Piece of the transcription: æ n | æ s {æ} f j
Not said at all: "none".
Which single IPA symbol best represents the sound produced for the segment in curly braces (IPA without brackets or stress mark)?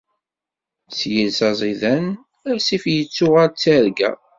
i